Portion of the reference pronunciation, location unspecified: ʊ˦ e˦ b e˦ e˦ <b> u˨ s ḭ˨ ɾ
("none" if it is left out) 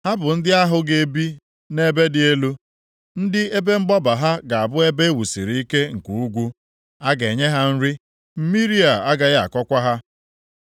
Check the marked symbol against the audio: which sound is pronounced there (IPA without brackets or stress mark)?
w